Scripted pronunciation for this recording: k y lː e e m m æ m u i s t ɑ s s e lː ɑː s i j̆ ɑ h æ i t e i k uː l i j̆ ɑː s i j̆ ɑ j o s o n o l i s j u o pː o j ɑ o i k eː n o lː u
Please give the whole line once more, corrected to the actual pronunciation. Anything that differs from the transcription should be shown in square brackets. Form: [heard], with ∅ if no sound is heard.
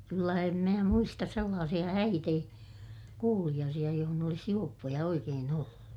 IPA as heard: k y lː [æ] e m m [æː] m u i s t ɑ s s e lː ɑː s i j̆ ɑ h æ i t e i k uː l i j̆ ɑː s i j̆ ɑ j o [h] o n o l i s j u o pː o j ɑ o i k eː n o lː u